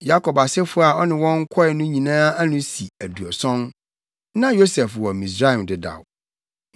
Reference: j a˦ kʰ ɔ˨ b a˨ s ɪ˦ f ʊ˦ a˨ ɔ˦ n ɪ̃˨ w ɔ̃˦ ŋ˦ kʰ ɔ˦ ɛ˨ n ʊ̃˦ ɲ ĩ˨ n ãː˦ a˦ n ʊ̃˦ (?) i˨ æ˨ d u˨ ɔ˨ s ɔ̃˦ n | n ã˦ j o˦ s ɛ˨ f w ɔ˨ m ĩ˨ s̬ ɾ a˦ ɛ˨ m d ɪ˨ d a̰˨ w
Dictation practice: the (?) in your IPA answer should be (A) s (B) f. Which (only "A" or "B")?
A